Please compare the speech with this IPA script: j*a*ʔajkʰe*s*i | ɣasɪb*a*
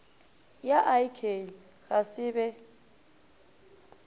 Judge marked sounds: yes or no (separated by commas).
yes, no, no